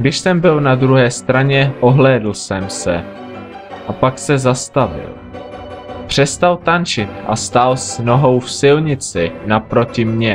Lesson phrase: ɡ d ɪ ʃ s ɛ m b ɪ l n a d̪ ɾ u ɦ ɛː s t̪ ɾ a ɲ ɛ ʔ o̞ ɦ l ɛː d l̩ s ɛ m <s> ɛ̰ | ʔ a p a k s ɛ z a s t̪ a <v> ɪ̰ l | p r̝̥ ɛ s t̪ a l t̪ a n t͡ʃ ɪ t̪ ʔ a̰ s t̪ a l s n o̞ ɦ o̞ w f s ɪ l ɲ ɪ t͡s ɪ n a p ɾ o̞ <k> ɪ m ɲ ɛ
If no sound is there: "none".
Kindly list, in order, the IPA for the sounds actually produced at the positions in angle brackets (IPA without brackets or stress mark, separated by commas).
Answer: s, v, c